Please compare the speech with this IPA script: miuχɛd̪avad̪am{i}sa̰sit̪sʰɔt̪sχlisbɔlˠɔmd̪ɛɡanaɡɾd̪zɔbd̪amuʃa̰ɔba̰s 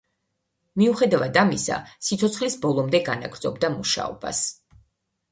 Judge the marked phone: correct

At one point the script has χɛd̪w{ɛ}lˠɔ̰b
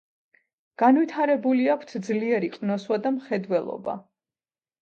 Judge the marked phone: correct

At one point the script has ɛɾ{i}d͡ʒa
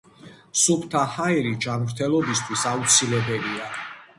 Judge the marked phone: correct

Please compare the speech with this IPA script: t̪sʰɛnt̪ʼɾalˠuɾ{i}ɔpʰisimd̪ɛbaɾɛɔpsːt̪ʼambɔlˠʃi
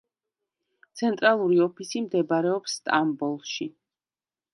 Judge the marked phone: correct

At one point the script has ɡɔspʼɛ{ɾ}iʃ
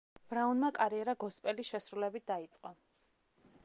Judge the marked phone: incorrect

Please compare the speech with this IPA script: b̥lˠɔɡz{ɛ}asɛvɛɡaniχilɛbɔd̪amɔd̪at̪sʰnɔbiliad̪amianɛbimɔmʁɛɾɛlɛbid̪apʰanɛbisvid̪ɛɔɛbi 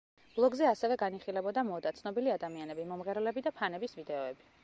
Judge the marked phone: correct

